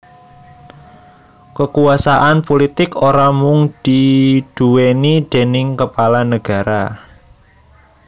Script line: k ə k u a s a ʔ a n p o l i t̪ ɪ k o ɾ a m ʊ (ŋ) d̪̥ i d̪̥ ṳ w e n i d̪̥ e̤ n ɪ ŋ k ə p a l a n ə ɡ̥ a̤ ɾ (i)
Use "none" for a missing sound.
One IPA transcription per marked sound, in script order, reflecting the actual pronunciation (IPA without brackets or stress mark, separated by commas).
ŋ, a